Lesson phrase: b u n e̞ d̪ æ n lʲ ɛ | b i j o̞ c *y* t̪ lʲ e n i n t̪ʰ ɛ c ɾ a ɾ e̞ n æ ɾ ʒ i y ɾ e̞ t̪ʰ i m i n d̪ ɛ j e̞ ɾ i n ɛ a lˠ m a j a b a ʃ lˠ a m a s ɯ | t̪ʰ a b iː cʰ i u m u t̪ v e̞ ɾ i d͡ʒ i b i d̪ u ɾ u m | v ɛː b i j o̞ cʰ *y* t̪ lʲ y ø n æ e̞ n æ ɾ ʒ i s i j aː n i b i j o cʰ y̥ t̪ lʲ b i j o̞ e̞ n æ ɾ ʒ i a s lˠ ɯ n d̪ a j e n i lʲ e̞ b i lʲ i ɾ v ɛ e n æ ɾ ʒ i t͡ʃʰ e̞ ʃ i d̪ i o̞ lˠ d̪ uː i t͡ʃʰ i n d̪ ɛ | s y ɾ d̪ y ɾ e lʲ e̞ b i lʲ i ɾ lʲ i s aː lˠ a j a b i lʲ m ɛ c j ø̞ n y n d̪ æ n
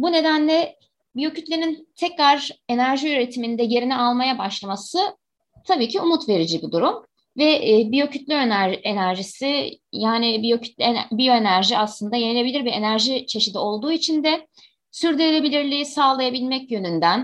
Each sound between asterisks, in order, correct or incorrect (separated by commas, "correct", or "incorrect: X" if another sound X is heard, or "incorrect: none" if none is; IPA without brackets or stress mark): correct, correct